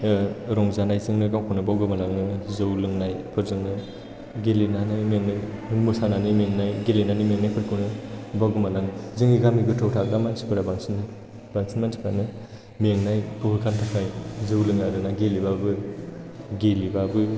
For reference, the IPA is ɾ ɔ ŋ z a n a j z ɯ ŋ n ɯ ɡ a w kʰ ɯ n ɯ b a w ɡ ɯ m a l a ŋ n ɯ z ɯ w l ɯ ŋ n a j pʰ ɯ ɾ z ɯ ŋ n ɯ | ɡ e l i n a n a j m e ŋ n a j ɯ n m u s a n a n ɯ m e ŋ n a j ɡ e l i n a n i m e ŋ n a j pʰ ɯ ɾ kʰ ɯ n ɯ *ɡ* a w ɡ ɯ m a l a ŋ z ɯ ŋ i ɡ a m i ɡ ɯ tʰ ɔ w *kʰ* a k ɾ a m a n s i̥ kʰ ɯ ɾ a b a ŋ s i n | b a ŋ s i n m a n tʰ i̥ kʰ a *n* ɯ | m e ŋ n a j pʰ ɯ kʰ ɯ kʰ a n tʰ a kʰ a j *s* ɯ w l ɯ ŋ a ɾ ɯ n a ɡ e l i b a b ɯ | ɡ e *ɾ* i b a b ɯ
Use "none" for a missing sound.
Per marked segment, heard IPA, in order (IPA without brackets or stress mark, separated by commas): b, tʰ, n, z, l